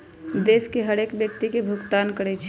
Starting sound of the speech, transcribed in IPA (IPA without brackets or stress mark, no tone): d̪